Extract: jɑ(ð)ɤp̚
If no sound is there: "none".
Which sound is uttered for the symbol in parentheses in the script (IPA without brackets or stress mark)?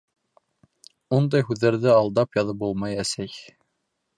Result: ð